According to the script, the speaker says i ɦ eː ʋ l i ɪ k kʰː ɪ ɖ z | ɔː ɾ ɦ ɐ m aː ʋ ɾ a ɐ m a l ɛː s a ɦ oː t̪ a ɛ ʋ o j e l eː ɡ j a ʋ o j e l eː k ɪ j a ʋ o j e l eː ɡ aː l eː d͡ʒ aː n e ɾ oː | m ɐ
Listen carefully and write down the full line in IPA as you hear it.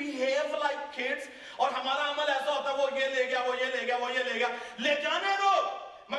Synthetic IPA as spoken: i ɦ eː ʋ l a ɪ k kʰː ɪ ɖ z | ɔː ɾ ɦ ɐ m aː ɾ a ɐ m ə l ɛː s a ɦ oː t̪ a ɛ ʋ o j e l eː ɡ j a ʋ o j e l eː ɡ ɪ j a ʋ o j e l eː ɡ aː l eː d͡ʒ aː n e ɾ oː | m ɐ